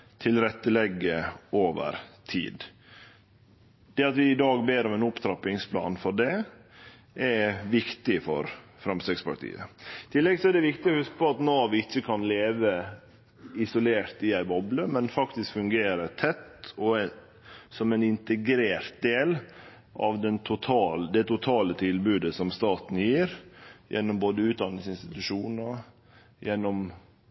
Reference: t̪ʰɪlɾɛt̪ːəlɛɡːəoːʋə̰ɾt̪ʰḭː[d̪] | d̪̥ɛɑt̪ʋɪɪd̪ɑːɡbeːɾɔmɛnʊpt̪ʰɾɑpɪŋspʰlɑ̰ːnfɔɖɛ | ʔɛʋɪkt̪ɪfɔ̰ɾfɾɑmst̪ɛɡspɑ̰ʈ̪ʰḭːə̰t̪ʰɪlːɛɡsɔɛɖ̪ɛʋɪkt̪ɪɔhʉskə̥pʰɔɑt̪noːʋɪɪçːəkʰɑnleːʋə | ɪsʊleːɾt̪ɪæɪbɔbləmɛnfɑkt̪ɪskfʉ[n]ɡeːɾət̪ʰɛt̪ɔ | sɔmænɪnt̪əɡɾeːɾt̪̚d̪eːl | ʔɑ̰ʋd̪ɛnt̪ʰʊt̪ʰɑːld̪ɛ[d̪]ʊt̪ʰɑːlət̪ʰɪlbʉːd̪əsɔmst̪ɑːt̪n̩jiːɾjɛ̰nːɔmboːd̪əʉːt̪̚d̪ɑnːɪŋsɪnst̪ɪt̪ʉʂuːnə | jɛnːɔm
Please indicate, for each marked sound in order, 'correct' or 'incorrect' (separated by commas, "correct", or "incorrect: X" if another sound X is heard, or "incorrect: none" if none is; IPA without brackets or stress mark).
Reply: correct, incorrect: ŋ, incorrect: t̪